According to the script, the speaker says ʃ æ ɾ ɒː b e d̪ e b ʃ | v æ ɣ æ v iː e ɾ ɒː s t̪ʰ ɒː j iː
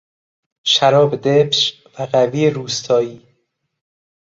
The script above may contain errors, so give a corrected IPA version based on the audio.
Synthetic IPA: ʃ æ ɾ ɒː b e d̪ e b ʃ | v æ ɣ æ v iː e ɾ uː s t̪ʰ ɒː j iː